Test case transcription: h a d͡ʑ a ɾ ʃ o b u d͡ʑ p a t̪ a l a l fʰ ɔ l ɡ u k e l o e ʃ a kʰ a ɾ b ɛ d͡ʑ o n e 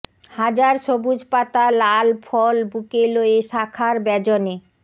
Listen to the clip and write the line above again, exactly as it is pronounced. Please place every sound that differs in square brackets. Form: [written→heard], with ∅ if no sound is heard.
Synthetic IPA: h a d͡ʑ a ɾ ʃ o b u d͡ʑ p a t̪ a l a l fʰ ɔ l [ɡ→b] u k e l o e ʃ a kʰ a ɾ b ɛ d͡ʑ o n e